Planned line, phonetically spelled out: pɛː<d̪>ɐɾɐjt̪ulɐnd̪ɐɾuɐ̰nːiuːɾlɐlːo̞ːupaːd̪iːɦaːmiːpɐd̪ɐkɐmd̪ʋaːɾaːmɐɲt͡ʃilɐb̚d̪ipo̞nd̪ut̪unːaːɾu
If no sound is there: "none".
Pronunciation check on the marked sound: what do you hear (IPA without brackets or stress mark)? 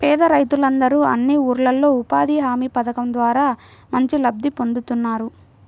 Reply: d̪